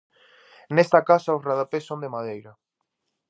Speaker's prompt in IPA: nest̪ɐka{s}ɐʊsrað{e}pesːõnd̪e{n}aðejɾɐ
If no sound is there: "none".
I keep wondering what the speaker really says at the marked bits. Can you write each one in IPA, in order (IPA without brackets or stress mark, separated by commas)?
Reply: s, a, m